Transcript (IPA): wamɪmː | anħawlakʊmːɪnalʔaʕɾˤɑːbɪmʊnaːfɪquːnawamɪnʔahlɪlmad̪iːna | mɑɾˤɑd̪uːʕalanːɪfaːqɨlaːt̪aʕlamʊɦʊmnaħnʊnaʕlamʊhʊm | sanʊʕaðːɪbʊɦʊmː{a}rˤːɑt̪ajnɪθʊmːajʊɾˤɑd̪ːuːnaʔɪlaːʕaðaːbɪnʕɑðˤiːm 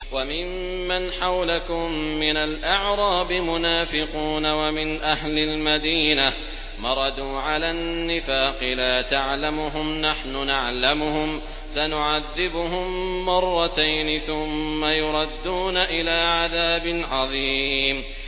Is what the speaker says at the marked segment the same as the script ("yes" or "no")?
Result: no